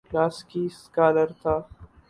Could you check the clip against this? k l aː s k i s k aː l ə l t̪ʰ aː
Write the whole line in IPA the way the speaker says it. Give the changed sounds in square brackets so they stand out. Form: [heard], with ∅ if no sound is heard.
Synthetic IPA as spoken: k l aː s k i s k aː l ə [ɾ] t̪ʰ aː

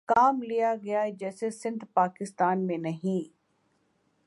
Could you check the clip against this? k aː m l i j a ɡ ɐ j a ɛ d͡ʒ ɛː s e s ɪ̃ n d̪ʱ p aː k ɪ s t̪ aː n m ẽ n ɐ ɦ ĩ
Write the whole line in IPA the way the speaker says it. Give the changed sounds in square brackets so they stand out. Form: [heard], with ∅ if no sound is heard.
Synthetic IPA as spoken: k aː m l i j a ɡ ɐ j a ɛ d͡ʒ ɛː s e s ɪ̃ n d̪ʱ p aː k ɪ s t̪ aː n m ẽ n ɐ ɦ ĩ

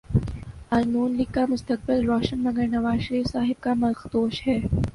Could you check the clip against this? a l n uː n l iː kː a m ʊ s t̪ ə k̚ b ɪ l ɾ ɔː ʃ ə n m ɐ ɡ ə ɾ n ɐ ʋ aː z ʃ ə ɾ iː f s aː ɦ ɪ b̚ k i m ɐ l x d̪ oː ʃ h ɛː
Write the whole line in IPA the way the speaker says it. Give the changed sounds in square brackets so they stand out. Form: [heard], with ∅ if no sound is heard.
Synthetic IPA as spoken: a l n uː n l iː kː a m ʊ s t̪ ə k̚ b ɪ l ɾ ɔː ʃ ə n m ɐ ɡ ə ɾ n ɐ ʋ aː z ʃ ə ɾ iː f s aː ɦ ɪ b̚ k [a] m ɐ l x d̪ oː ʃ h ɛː

